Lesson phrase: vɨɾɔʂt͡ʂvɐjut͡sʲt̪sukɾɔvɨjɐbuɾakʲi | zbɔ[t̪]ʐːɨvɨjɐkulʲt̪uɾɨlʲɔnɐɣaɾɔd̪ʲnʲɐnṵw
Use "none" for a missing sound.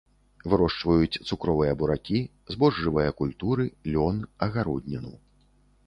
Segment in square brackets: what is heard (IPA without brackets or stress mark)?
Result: none